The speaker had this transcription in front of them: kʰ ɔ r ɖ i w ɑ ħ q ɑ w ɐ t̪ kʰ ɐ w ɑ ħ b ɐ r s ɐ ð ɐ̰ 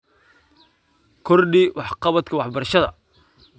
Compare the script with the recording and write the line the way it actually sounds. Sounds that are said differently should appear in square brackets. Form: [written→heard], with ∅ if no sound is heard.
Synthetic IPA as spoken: kʰ ɔ r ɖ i w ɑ ħ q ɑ [w→β] ɐ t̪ kʰ ɐ w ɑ ħ b ɐ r [s→ʃ] ɐ ð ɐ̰